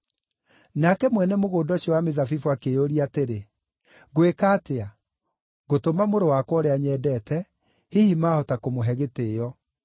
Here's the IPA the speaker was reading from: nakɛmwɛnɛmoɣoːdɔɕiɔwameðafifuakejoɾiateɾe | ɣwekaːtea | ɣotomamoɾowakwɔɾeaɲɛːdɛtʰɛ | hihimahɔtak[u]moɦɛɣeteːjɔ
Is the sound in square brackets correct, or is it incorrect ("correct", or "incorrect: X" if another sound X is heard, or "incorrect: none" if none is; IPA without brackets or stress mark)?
incorrect: o